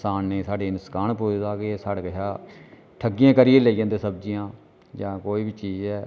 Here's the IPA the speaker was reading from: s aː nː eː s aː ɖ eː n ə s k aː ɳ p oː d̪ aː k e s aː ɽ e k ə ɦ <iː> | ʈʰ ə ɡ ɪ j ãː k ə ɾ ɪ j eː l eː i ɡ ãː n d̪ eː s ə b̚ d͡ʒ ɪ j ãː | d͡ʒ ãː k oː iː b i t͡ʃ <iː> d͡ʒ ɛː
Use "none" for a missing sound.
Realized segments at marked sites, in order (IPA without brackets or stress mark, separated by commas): aː, iː